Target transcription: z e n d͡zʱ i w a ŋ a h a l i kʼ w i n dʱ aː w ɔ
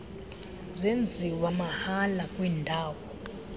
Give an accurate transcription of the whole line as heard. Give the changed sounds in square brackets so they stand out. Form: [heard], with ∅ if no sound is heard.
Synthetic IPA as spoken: z e n d͡zʱ i w a [m] a h a l [a] kʼ w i n dʱ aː w ɔ